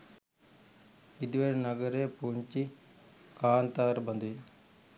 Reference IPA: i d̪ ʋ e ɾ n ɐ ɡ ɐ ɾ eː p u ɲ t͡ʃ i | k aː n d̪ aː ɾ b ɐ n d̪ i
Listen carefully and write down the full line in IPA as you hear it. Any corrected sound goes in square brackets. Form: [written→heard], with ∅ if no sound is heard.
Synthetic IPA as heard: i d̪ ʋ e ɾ n ɐ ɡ ɐ ɾ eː p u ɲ t͡ʃ i | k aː n [d̪→t̪] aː ɾ b ɐ n d̪ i